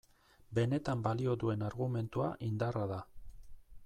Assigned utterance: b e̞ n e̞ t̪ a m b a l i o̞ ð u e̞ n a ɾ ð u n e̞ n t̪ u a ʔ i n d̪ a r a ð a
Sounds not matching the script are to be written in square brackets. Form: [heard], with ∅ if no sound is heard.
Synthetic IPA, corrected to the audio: b e̞ n e̞ t̪ a m b a l i o̞ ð u e̞ n a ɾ [ɣ] u [m] e̞ n t̪ u a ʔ i n d̪ a r a ð a